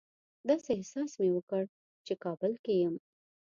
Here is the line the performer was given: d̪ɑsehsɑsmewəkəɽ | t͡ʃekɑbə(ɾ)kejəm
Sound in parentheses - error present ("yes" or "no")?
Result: yes